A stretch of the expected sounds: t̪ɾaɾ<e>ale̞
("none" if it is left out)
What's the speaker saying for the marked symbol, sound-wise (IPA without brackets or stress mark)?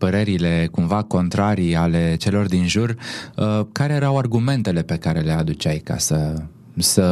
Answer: i